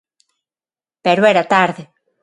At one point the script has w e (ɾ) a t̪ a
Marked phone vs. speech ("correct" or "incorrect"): correct